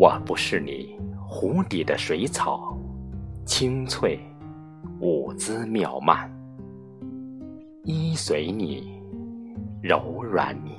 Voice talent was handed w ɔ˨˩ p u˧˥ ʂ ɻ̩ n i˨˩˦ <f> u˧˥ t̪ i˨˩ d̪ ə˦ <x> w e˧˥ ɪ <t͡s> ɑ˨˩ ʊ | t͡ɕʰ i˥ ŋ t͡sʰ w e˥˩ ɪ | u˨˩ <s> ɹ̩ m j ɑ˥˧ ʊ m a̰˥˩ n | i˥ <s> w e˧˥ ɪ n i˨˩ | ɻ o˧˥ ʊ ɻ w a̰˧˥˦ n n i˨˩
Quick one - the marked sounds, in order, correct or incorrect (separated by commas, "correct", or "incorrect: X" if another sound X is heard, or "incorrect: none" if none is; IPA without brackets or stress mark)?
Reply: incorrect: x, incorrect: ʂ, incorrect: t͡sʰ, incorrect: t͡s, correct